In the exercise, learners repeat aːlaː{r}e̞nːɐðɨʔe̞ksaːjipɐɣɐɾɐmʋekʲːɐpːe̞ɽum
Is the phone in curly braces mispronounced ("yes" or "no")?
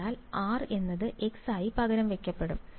no